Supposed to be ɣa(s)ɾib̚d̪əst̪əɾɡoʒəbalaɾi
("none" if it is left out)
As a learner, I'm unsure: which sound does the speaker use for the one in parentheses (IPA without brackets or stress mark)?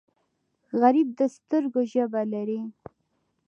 none